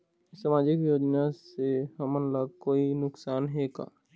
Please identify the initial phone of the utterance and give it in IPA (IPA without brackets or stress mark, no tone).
s